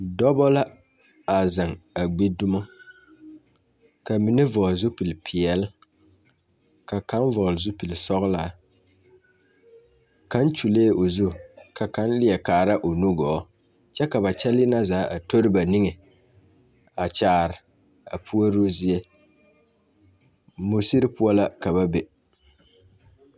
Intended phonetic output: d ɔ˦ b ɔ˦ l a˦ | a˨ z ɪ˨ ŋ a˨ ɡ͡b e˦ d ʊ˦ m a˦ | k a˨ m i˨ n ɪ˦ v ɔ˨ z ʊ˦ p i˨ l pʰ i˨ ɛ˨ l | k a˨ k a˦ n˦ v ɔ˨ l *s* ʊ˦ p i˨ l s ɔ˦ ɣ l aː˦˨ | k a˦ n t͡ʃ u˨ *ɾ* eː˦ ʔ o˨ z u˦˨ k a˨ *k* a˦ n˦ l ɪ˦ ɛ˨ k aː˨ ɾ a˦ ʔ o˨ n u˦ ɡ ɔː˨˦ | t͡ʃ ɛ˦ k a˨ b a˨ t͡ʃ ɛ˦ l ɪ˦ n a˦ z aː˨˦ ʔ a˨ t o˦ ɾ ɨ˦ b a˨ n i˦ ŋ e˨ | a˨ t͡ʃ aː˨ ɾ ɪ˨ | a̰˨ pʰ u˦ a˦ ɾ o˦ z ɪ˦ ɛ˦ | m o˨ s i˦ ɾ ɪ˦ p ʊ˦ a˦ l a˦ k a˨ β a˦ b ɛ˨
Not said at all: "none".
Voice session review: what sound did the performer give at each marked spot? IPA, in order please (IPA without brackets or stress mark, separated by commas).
z, l, k